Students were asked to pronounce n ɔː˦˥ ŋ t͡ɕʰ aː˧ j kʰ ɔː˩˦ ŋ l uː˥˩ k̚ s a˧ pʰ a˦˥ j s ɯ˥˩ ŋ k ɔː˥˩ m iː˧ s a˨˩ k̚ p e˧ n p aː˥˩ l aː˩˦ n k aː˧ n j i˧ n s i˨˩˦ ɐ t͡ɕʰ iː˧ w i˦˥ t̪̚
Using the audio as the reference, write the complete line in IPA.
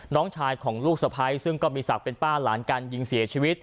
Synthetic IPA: n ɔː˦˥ ŋ t͡ɕʰ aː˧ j kʰ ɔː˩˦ ŋ l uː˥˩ k̚ s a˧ pʰ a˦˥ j s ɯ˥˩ ŋ k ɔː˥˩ m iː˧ s a˨˩ k̚ p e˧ n p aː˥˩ l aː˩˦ n k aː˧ n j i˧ ŋ s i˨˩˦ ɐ t͡ɕʰ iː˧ w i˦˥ t̪̚